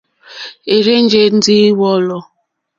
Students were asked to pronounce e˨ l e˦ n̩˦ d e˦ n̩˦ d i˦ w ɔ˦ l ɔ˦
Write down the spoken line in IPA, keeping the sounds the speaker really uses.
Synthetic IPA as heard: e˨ ɾ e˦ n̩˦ d͡ʒ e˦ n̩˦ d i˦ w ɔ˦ l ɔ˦